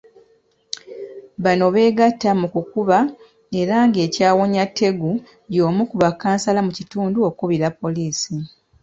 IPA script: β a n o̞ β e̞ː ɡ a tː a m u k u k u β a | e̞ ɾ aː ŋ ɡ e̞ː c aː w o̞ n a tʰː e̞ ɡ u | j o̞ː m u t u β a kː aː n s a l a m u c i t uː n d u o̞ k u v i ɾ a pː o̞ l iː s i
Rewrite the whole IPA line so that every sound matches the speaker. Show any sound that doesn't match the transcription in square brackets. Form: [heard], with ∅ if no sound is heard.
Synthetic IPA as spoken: β a n o̞ β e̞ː ɡ a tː a m u k u k u β a | e̞ ɾ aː ŋ ɡ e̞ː c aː w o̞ [ɲ] a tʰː e̞ ɡ u | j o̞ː m u [k] u β a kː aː n s a l a m u c i t uː n d u o̞ k u [β] i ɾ a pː o̞ l iː s i